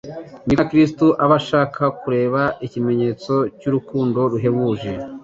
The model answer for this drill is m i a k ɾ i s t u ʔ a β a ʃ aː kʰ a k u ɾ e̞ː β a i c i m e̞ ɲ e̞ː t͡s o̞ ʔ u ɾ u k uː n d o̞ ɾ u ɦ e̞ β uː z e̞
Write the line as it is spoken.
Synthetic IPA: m i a k ɾ i s t u ʔ a β a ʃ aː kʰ a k u ɾ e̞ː β a i c i m e̞ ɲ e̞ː t͡s o̞ c u ɾ u k uː n d o̞ ɾ u ɦ e̞ β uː ʒ e̞